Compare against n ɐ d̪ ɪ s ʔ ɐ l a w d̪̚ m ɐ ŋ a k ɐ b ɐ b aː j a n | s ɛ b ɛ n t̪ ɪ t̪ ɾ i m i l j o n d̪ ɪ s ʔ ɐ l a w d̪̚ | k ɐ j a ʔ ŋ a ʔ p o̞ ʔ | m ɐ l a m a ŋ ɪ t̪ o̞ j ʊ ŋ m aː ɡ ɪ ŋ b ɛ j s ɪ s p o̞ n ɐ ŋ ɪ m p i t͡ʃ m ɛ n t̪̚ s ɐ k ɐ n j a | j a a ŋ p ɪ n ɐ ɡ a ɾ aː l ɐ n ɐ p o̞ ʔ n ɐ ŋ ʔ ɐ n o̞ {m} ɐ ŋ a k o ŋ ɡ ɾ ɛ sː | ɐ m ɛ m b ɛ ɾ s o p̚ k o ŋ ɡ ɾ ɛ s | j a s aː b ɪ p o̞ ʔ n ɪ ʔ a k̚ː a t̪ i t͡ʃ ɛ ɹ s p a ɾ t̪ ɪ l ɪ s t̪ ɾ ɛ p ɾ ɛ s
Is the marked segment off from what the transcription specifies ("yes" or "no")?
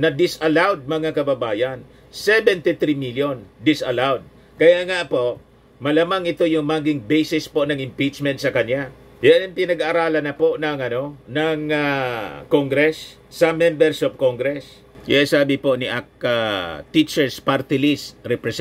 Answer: yes